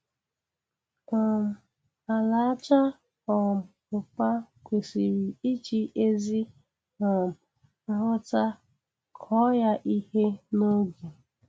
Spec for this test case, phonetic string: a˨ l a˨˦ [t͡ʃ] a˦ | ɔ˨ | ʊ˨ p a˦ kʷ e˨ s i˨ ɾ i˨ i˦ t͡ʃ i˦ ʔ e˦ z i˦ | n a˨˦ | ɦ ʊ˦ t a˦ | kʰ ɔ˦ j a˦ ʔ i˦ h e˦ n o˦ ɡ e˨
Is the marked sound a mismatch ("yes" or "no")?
no